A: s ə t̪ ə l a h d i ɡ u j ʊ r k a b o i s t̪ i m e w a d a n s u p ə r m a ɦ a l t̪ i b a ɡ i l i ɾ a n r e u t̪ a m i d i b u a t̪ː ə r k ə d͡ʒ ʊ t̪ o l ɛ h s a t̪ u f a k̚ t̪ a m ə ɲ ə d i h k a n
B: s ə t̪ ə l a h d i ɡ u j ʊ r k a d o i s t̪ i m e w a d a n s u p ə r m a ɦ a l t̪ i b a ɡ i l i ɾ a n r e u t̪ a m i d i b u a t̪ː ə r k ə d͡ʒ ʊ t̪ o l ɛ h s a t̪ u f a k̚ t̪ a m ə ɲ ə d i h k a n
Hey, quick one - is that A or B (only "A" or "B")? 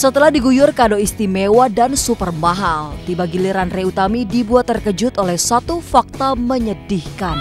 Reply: B